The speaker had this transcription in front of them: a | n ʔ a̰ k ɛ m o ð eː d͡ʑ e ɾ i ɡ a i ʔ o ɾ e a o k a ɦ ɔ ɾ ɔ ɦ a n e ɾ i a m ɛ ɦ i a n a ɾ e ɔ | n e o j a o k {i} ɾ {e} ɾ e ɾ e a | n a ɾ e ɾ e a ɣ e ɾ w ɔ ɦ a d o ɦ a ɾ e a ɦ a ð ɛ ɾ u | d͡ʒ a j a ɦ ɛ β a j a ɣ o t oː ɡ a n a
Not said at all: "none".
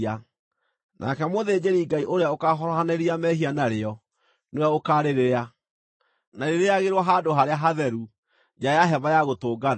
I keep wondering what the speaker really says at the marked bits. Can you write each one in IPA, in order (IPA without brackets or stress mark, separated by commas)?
a, e